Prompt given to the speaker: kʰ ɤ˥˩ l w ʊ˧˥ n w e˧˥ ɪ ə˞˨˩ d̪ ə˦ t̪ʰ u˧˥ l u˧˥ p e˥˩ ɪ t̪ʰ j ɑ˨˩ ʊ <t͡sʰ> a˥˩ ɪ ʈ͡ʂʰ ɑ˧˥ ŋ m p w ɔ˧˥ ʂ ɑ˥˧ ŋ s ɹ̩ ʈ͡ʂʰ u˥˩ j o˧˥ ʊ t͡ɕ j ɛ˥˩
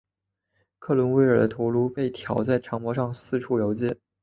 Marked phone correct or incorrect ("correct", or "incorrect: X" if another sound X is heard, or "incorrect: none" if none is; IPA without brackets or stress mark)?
incorrect: t͡s